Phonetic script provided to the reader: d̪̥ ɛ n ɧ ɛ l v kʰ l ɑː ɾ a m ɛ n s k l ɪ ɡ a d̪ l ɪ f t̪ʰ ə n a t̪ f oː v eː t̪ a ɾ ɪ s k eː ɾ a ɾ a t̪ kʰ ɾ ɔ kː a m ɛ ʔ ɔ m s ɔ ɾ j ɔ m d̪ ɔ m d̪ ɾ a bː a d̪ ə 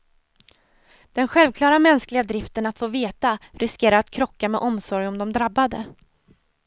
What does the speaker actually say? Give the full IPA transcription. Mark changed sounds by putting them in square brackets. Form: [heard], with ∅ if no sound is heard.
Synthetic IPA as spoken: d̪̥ ɛ n ɧ ɛ l v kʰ l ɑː ɾ a m ɛ n s k l ɪ ɡ a d̪ [ɾ] ɪ f [t̪] ə n a t̪ f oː v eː t̪ a ɾ ɪ s k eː ɾ a ɾ a t̪ kʰ ɾ ɔ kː a m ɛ ʔ ɔ m s ɔ ɾ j ɔ m d̪ ɔ m d̪ ɾ a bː a d̪ ə